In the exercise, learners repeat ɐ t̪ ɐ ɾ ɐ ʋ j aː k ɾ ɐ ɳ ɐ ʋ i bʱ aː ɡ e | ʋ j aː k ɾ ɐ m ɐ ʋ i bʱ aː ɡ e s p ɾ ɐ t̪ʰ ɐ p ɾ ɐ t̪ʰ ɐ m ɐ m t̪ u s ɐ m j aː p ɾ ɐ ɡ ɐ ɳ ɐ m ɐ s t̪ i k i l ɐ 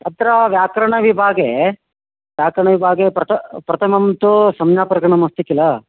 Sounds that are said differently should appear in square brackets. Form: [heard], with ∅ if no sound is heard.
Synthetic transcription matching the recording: ɐ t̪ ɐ ɾ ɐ ʋ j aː k ɾ ɐ ɳ ɐ ʋ i bʱ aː ɡ e | ʋ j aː k ɾ ɐ [ɳ] ɐ ʋ i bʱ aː ɡ e [∅] p ɾ ɐ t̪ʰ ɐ p ɾ ɐ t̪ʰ ɐ m ɐ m t̪ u s ɐ m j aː p ɾ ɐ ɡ ɐ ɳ ɐ m ɐ s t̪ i k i l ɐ